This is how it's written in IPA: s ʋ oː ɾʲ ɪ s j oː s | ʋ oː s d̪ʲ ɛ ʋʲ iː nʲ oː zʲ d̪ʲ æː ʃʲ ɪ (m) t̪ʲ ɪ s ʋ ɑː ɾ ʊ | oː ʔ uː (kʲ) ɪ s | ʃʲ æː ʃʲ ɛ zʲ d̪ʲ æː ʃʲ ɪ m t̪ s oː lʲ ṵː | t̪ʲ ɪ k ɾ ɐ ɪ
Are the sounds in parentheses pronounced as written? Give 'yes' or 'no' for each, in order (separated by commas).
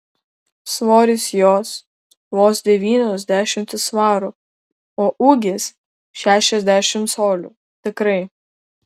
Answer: yes, no